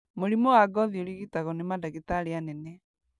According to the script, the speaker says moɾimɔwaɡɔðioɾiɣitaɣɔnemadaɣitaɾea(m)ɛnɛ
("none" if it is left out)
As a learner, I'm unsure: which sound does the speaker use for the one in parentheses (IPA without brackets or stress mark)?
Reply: n